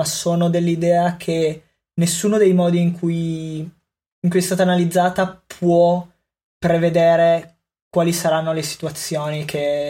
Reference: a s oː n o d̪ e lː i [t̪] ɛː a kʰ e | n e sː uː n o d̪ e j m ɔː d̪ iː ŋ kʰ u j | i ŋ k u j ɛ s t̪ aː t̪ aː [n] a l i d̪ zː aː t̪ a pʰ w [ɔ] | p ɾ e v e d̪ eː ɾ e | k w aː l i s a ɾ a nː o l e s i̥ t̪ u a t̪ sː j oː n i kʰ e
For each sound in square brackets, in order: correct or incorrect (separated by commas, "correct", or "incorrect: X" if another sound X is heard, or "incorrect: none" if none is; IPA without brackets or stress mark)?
incorrect: d̪, correct, correct